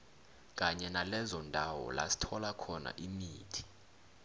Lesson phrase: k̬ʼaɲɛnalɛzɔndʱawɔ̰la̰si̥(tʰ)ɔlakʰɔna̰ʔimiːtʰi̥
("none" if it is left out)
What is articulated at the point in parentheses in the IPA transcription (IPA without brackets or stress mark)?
tʰ